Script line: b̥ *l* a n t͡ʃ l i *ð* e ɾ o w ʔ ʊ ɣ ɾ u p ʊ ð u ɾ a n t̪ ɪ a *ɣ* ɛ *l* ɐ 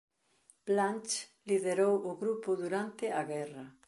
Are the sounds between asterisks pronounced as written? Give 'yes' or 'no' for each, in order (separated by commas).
yes, yes, yes, no